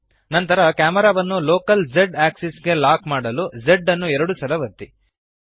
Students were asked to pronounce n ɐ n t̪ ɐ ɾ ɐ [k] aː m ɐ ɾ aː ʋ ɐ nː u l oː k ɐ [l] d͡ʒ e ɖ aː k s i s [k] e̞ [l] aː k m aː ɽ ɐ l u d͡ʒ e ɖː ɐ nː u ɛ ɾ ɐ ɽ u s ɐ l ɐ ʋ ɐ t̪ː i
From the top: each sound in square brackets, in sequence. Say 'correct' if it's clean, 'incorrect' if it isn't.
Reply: correct, correct, incorrect, correct

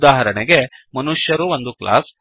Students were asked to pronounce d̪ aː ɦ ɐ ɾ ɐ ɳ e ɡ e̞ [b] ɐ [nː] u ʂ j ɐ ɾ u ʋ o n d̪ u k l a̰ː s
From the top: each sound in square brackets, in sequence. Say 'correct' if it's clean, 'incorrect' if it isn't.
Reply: incorrect, incorrect

